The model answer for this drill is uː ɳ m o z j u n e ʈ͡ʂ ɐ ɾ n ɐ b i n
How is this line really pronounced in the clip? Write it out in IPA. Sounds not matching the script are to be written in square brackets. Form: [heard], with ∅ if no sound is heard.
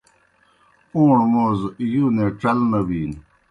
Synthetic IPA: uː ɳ m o z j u n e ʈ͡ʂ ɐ [l] n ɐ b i n